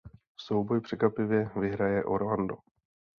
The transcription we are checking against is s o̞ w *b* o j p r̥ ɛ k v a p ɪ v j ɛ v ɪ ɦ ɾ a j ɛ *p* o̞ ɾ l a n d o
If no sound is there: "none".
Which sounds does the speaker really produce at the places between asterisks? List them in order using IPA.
b, ʔ

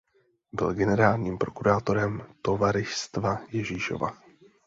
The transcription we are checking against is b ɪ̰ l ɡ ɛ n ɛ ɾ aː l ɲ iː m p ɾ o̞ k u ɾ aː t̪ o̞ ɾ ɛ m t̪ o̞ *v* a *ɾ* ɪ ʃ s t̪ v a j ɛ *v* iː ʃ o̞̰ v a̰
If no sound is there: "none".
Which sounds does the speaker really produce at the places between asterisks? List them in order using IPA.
v, ɾ, ʒ

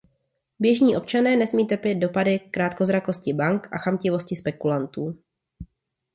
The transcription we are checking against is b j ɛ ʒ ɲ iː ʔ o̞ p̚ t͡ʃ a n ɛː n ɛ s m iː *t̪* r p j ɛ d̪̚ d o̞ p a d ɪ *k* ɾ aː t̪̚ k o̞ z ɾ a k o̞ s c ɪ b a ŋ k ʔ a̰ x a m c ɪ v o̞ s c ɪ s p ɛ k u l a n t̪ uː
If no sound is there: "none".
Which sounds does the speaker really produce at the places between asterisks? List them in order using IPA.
t̪, k

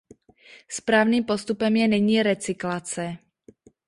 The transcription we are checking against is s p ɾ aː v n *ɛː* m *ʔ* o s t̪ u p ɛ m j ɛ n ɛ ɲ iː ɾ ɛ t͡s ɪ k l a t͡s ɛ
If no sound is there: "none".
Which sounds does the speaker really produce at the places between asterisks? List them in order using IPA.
iː, p

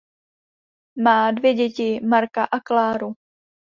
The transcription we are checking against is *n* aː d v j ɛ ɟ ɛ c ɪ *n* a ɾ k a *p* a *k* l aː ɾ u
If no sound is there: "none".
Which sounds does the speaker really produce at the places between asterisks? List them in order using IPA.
m, m, ʔ, k

